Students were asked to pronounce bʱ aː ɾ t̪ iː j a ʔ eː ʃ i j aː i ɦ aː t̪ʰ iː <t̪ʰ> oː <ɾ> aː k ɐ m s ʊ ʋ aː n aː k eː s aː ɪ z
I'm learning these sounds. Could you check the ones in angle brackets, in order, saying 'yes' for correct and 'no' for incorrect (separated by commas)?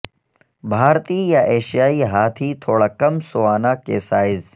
yes, no